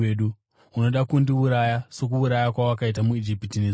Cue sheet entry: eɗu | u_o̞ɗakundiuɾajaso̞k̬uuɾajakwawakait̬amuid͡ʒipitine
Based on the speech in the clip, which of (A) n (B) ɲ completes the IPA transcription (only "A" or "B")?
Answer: A